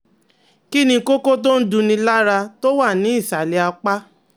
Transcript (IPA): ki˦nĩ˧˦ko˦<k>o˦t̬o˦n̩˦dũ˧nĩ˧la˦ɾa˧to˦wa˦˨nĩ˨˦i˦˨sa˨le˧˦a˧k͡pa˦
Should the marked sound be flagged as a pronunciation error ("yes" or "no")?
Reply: no